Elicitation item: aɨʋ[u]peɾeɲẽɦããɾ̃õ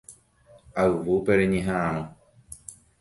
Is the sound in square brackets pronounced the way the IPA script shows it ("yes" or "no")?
yes